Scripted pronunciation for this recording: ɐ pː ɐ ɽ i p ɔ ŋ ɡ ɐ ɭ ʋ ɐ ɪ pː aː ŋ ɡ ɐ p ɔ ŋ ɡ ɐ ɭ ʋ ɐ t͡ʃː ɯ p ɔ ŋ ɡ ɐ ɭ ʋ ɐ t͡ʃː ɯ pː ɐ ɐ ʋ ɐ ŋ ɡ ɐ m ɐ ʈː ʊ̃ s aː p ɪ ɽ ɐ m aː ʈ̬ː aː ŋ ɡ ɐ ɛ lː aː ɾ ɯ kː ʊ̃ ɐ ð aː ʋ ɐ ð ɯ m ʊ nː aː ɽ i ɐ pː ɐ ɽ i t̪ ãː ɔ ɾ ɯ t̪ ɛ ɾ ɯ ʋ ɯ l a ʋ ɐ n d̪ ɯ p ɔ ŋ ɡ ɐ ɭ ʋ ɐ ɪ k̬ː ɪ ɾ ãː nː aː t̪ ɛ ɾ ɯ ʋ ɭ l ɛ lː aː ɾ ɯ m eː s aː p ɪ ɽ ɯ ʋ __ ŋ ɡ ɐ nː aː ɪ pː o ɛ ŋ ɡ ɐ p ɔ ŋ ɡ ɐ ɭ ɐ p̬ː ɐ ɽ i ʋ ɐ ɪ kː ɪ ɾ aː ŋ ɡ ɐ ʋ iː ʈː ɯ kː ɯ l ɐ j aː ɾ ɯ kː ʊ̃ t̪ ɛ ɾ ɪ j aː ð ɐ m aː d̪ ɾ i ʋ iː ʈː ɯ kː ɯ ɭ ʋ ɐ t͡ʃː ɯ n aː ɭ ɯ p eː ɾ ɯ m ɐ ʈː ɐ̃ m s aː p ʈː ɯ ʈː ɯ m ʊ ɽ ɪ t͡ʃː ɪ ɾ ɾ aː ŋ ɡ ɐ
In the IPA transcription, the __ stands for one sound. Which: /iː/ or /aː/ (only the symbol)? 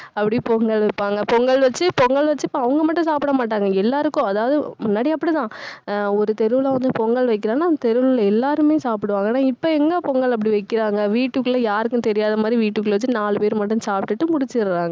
aː